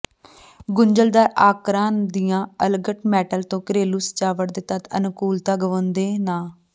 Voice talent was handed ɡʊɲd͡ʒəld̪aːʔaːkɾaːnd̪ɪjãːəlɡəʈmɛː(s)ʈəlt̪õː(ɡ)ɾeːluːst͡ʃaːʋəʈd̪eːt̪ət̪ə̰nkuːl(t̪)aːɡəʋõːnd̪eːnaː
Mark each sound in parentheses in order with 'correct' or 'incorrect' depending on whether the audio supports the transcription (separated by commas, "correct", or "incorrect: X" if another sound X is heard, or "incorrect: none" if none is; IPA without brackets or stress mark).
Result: incorrect: none, incorrect: k, correct